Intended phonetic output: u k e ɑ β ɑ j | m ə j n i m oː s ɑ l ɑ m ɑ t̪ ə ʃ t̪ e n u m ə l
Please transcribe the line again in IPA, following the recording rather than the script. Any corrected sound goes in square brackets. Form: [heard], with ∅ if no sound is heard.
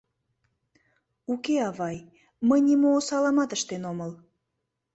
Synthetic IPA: u k e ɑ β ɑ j | m ə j n i m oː s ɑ l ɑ m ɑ t̪ ə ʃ t̪ e n [o] m ə l